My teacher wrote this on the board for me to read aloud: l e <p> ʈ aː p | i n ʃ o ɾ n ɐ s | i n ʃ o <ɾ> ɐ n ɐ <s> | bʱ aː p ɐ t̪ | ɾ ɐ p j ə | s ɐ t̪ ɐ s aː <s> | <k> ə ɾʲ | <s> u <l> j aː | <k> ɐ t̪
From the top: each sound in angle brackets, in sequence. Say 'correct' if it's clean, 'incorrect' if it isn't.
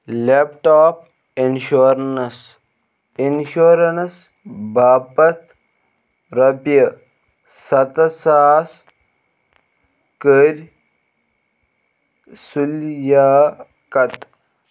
correct, correct, correct, correct, correct, correct, correct, correct

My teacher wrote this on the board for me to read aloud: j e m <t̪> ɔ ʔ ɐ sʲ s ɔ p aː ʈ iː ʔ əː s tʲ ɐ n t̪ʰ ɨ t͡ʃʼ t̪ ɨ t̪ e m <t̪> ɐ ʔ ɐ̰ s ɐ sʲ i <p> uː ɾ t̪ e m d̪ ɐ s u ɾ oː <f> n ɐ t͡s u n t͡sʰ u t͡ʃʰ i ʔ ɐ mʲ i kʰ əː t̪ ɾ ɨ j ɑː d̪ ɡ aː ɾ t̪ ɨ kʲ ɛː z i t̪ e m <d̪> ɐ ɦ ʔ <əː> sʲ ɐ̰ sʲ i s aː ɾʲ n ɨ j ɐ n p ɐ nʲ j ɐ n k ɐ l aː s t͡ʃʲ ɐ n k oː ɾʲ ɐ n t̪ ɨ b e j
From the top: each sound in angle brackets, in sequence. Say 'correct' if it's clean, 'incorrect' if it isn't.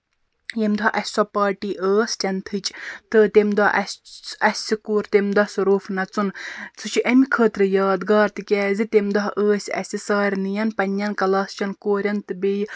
incorrect: d̪, incorrect: d̪, incorrect: k, correct, correct, correct

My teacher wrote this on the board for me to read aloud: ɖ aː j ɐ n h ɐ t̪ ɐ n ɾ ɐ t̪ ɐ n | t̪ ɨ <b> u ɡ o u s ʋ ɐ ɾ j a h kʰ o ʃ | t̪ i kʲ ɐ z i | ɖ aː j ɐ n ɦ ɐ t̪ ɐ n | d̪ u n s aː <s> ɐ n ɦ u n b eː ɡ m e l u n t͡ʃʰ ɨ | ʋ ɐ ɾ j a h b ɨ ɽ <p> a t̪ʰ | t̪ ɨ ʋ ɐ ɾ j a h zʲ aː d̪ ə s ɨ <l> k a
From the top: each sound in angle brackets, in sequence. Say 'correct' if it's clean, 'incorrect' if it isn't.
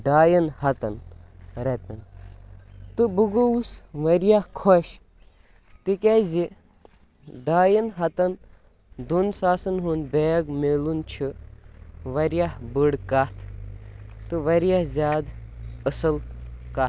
correct, correct, incorrect: k, correct

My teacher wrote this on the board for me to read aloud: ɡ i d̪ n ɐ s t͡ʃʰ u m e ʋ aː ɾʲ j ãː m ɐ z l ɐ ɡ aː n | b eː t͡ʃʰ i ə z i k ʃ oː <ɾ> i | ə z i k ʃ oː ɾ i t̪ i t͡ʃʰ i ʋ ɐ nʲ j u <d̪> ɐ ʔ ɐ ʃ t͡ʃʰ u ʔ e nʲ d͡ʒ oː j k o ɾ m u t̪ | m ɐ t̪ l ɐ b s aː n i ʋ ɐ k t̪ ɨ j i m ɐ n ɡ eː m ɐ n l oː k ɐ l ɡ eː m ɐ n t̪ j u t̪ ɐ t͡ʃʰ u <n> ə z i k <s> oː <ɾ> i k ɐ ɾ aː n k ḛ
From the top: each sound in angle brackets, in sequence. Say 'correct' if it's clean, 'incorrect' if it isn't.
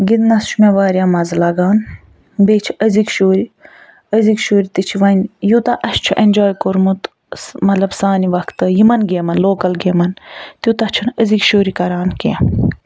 correct, incorrect: t̪, correct, incorrect: ʃ, correct

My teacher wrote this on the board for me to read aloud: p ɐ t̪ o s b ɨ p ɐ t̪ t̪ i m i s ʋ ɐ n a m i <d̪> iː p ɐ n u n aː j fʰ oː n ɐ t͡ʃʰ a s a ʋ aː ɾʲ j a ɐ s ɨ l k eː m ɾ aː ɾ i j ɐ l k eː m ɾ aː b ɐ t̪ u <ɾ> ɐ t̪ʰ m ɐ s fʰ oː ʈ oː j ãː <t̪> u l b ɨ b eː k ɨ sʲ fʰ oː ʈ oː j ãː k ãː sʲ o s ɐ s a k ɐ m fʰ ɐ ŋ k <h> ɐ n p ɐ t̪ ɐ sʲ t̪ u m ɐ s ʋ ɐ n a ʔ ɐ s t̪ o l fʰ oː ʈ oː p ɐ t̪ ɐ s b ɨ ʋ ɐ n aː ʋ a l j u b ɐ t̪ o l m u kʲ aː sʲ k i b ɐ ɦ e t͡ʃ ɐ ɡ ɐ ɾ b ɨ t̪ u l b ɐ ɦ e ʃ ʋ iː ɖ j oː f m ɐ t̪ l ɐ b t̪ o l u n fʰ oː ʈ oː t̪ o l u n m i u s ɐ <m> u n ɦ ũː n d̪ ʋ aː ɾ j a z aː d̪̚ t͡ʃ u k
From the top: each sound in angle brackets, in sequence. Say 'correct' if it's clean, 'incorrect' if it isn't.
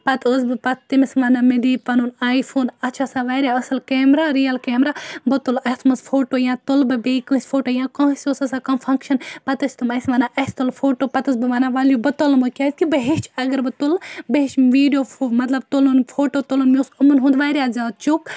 correct, incorrect: l, correct, incorrect: ʃ, correct

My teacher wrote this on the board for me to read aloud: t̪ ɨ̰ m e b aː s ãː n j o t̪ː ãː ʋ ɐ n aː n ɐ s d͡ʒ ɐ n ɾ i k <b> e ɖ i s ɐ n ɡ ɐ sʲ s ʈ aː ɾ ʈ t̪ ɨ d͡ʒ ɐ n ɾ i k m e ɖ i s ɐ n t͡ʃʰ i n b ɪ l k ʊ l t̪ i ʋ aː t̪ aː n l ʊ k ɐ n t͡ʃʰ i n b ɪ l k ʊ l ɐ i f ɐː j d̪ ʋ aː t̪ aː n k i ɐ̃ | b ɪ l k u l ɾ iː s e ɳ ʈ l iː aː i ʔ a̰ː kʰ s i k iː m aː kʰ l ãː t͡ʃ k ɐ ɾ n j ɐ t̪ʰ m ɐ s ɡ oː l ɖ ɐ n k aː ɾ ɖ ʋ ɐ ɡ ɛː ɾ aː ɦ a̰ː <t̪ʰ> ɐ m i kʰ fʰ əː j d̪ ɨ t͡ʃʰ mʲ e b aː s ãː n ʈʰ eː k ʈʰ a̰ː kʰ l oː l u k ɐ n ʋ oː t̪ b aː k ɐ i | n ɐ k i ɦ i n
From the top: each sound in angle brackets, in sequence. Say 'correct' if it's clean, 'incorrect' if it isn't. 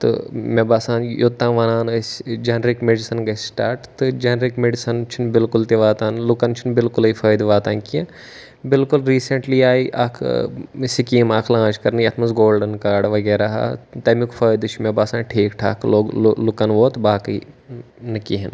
incorrect: m, incorrect: t̪

